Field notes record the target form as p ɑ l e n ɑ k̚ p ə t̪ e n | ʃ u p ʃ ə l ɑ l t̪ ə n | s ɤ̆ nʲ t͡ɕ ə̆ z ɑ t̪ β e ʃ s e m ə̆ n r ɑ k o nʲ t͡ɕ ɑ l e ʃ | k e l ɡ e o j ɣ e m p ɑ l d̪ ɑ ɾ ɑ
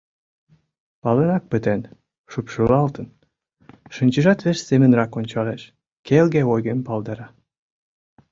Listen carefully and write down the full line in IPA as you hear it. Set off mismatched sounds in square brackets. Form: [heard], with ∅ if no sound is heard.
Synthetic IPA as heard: p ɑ l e n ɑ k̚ p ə t̪ e n | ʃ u p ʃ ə l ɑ l t̪ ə n | [ʃ] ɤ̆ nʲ t͡ɕ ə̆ [ʒ] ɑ t̪ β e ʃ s e m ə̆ n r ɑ k o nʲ t͡ɕ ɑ l e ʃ | k e l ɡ e o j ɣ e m p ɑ l d̪ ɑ ɾ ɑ

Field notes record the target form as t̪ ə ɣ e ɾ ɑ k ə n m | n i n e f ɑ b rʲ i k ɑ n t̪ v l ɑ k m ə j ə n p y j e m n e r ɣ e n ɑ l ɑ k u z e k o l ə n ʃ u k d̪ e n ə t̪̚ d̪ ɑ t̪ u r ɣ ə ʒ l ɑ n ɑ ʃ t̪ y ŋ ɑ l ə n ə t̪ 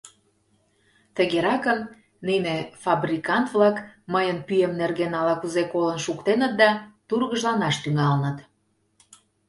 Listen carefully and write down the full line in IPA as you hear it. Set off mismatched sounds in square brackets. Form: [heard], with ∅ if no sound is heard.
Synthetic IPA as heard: t̪ ə ɣ e ɾ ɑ k ə [∅] m | n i n e f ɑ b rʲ i k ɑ n t̪ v l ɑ k m ə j ə n p y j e m n e r ɣ e n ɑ l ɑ k u z e k o l ə n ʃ u k [t̪] e n ə t̪̚ d̪ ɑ t̪ u r ɣ ə ʒ l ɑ n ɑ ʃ t̪ y ŋ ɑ l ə n ə t̪

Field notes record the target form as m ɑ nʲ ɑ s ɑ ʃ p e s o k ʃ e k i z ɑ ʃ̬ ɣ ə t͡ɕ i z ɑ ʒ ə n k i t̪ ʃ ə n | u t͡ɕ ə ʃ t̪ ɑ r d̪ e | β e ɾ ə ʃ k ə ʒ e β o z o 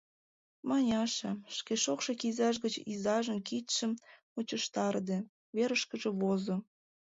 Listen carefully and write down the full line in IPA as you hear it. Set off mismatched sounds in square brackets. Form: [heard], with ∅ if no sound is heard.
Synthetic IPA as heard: m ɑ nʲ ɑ [ʃ] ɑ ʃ [k] e [ʃ] o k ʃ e k i z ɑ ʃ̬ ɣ ə t͡ɕ i z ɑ ʒ ə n k i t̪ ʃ ə [m] | u t͡ɕ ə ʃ t̪ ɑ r d̪ e | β e ɾ ə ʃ k ə ʒ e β o z o

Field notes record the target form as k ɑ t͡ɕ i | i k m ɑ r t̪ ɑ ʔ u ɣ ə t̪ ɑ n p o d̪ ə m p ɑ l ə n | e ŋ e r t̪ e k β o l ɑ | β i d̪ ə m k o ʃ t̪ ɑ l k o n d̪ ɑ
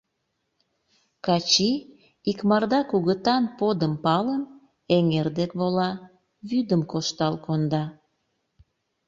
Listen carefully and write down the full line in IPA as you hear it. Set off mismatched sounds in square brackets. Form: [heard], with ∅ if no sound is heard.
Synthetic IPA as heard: k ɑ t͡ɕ i | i k m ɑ r [d̪] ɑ [k] u ɣ ə t̪ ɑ n p o d̪ ə m p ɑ l ə n | e ŋ e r [d̪] e k β o l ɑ | β [y] d̪ ə m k o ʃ t̪ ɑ l k o n d̪ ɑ

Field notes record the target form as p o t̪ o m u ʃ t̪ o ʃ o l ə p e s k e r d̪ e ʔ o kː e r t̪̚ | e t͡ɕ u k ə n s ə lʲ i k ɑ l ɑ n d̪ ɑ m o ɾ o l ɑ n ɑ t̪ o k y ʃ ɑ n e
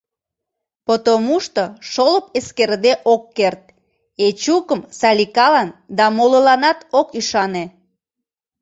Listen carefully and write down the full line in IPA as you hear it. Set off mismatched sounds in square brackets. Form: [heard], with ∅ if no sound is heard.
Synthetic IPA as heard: p o t̪ o m u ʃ t̪ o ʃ o l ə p e s k e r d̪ e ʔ o kː e r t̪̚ | e t͡ɕ u k ə [m] s [ɑ] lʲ i k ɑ l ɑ n d̪ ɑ m o [l] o l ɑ n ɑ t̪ o k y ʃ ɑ n e

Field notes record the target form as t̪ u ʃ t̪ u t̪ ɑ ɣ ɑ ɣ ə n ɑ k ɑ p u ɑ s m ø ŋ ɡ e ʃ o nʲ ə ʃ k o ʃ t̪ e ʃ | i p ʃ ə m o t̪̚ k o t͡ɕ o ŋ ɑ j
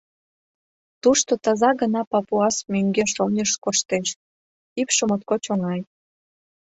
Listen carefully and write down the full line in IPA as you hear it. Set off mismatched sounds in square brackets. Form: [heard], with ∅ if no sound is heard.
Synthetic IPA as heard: t̪ u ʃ t̪ [o] t̪ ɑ [z] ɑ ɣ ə n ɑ [p] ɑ p u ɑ s m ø ŋ ɡ e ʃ o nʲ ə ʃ k o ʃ t̪ e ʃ | i p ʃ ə m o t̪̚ k o t͡ɕ o ŋ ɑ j

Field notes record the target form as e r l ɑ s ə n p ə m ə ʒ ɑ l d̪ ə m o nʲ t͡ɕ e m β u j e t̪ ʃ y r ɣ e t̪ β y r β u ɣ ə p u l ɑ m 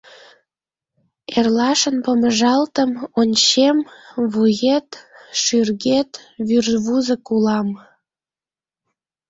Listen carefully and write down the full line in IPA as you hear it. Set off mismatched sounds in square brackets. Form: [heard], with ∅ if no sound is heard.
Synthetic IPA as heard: e r l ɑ [ʃ] ə n p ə m ə ʒ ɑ l [t̪] ə m o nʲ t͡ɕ e m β u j e t̪ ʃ y r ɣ e t̪ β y r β u [z] ə [k] u l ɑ m

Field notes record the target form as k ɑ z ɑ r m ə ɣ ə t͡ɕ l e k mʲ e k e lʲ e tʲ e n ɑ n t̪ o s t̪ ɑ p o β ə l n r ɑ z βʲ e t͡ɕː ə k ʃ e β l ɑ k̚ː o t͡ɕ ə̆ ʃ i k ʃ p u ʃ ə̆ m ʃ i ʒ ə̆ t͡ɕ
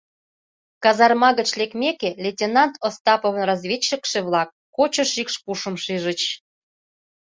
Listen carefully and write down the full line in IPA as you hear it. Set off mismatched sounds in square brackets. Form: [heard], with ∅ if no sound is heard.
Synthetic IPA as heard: k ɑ z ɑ r m [ɑ] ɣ ə t͡ɕ l e k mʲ e k e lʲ e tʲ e n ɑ n t̪ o s t̪ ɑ p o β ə [∅] n r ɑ z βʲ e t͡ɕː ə k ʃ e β l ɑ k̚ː o t͡ɕ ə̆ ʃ i k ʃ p u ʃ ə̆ m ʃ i ʒ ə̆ t͡ɕ

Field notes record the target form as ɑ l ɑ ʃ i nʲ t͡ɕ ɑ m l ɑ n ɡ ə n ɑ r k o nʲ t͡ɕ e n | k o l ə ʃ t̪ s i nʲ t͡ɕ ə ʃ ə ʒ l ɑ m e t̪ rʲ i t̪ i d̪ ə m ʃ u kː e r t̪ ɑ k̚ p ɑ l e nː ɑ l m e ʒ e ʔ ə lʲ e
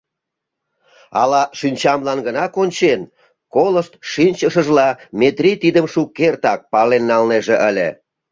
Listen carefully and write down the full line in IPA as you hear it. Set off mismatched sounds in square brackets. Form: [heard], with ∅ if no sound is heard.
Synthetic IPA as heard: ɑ l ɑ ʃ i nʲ t͡ɕ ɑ m l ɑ n ɡ ə n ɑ [∅] k o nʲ t͡ɕ e n | k o l ə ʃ t̪ [ʃ] i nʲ t͡ɕ ə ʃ ə ʒ l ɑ m e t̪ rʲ i t̪ i d̪ ə m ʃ u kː e r t̪ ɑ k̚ p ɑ l e nː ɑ l [n] e ʒ e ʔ ə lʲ e

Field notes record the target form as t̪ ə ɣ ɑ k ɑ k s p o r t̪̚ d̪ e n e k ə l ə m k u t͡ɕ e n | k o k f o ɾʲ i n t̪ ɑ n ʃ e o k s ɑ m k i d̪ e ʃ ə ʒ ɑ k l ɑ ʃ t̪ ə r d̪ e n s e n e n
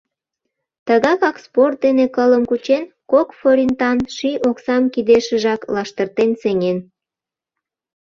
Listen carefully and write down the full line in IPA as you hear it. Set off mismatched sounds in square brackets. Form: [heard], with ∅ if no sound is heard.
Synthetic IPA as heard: t̪ ə ɣ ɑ k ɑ k s p o r t̪̚ d̪ e n e k ə l ə m k u t͡ɕ e n | k o k f o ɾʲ i n t̪ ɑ n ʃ [i] o k s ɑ m k i d̪ e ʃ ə ʒ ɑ k l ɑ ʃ t̪ ə r [t̪] e n s e [ŋ] e n

